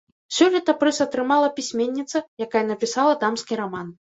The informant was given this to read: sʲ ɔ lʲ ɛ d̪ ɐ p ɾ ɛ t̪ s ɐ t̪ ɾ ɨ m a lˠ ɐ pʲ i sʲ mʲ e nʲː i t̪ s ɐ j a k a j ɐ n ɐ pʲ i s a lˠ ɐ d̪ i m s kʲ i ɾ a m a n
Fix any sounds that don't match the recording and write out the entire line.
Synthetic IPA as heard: sʲ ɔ lʲ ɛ t̪ ɐ p ɾ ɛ s ɐ t̪ ɾ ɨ m a lˠ ɐ pʲ i sʲ mʲ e nʲː i t̪ s ɐ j a k a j ɐ n ɐ pʲ i s a lˠ ɐ d̪ a m s kʲ i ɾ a m a n